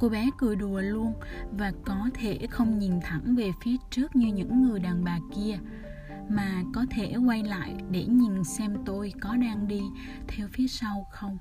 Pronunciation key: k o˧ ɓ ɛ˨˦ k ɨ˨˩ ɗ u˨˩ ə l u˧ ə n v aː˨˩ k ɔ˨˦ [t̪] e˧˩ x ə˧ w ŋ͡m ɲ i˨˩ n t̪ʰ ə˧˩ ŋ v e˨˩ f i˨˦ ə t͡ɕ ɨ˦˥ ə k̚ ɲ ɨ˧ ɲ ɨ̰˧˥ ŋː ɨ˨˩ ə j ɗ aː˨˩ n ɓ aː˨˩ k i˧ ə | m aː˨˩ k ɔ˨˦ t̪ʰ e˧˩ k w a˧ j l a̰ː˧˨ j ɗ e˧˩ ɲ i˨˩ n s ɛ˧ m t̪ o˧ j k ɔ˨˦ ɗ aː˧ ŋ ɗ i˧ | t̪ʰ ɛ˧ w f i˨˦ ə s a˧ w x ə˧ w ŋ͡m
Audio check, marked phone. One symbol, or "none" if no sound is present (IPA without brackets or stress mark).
t̪ʰ